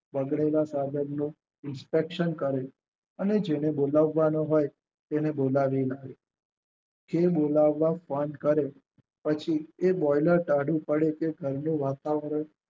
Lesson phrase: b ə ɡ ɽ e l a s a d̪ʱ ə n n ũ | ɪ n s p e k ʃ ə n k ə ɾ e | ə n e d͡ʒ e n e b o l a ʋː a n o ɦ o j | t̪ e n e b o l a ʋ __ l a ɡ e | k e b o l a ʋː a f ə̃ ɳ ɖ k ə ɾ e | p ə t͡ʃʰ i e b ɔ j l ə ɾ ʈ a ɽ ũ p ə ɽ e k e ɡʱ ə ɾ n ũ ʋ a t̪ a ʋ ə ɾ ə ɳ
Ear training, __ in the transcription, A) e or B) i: B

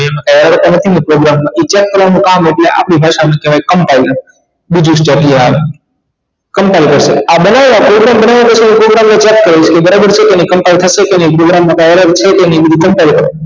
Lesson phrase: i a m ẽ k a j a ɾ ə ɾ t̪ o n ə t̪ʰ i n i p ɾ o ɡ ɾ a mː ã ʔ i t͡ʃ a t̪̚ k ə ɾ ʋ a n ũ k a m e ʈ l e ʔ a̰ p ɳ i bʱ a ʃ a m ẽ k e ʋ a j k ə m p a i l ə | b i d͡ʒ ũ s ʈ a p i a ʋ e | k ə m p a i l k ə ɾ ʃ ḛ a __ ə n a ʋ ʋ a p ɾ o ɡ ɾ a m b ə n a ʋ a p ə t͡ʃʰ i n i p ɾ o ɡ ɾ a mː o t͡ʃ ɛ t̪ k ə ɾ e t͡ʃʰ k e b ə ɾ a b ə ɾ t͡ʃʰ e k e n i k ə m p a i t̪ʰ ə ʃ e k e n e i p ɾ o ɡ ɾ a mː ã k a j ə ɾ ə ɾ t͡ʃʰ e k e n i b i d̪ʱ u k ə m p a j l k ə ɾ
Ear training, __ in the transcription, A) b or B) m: A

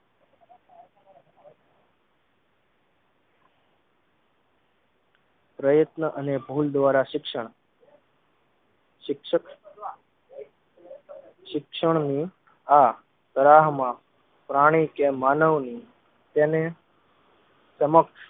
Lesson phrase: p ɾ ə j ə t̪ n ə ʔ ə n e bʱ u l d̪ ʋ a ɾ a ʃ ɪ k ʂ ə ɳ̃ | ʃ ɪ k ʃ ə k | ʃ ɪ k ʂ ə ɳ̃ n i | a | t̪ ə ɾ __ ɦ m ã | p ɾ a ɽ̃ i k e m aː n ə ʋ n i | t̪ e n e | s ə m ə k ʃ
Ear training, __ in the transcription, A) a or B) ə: A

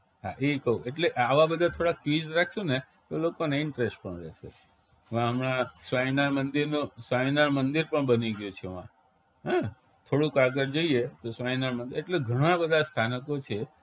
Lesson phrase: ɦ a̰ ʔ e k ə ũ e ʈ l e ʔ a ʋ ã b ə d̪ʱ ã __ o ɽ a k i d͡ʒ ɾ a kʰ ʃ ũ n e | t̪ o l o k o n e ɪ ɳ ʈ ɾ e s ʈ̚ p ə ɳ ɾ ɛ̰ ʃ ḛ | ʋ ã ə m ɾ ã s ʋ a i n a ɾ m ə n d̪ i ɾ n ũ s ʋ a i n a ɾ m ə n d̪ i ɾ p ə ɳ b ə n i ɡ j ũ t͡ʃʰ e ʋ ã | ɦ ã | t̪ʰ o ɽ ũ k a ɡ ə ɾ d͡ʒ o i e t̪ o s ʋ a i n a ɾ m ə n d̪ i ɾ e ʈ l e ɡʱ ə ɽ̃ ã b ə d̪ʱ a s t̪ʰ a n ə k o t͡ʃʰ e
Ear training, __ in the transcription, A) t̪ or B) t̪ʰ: B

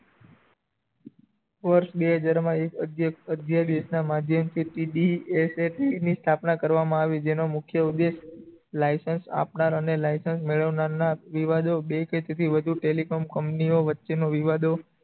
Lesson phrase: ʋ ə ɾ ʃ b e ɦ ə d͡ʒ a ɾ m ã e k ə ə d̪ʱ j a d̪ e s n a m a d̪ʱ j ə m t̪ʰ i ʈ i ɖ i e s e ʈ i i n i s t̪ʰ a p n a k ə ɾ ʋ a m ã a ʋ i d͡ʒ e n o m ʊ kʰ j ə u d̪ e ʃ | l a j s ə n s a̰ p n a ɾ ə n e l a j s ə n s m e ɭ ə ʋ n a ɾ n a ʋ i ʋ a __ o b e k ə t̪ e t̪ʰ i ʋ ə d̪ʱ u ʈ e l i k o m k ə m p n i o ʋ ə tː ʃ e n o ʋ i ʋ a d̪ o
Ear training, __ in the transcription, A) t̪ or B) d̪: B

